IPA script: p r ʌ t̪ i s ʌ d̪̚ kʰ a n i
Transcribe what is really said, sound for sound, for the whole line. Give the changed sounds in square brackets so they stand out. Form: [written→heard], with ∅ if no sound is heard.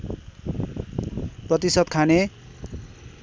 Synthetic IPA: p r ʌ t̪ i s ʌ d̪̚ kʰ a n [i→e]

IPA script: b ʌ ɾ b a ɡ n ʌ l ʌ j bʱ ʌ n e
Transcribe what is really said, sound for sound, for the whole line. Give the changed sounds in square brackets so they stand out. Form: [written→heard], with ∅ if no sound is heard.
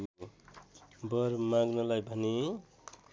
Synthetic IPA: b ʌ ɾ [b→m] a ɡ n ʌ l [ʌ→a] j bʱ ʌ n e

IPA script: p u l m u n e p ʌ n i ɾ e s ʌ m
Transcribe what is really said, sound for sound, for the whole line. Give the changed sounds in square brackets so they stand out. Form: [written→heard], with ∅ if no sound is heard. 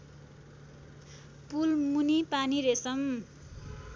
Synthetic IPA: p u l m u n [e→i] p [ʌ→a] n i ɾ e s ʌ m

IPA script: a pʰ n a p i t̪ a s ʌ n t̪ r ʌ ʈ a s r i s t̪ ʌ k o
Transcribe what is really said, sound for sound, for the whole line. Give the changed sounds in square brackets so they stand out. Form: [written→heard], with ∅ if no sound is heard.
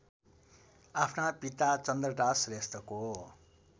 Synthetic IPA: a pʰ n a p i t̪ a [s→t͡s] ʌ n [t̪→d̪] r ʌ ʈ a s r [i→e] s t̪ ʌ k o

